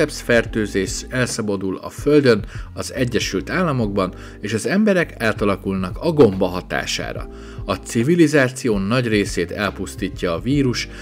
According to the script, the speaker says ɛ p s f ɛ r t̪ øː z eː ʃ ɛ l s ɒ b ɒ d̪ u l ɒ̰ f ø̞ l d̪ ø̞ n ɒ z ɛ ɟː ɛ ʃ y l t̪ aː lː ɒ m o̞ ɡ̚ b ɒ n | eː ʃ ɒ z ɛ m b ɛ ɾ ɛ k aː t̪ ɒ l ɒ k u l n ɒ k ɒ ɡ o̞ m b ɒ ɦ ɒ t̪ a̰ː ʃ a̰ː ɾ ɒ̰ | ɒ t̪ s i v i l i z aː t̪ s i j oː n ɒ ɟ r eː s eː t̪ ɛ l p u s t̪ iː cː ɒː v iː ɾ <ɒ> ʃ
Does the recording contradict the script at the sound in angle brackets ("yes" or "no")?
yes